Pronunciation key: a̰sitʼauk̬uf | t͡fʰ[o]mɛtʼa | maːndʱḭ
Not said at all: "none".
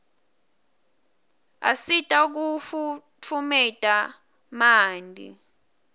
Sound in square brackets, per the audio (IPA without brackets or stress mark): u